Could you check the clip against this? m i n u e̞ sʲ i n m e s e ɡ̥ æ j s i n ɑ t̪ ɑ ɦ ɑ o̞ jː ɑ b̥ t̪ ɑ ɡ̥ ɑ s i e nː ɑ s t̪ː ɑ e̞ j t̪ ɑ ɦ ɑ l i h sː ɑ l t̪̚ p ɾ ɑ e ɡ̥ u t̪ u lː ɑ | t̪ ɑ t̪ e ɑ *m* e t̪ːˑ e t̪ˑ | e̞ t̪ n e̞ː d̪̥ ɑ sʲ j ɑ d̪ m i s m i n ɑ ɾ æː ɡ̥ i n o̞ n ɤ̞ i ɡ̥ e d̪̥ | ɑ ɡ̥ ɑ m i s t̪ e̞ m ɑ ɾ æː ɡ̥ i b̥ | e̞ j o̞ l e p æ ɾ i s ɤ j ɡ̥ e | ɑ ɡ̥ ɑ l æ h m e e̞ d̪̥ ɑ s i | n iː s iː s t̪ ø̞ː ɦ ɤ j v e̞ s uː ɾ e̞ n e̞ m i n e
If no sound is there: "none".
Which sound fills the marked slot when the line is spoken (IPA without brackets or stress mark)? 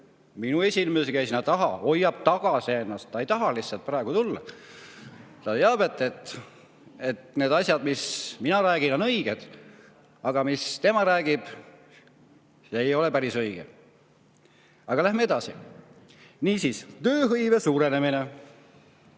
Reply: b